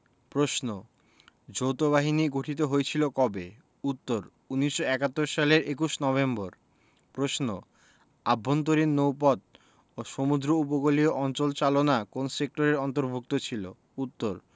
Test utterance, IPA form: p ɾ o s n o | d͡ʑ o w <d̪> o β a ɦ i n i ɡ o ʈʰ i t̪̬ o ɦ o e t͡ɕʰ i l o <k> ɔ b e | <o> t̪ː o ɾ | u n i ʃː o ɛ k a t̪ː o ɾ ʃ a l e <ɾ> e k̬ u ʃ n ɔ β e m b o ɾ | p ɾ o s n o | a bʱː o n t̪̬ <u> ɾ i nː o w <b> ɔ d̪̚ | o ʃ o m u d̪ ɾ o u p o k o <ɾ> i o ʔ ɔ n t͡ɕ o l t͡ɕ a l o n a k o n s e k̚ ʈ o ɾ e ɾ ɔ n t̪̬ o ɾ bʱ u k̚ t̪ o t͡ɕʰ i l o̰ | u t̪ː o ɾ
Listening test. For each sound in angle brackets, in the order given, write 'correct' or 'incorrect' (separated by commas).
incorrect, correct, incorrect, correct, incorrect, incorrect, incorrect